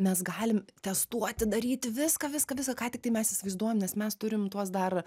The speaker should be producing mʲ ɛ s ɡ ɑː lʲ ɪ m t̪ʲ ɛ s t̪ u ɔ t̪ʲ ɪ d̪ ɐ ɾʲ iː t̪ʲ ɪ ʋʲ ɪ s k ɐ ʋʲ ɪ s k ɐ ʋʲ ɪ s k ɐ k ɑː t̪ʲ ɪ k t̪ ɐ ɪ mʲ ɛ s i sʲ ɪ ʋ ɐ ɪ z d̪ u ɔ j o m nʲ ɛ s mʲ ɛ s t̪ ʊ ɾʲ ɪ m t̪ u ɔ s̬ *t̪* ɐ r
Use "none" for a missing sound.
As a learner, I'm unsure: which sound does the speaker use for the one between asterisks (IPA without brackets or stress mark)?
d̪